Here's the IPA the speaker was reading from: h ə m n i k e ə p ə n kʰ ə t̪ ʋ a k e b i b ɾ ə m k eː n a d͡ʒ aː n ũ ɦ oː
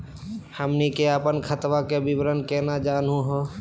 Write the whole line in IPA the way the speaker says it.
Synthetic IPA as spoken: h ə m n i k e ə p ə n kʰ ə t̪ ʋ a k e b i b ɾ ə n k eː n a d͡ʒ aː n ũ ɦ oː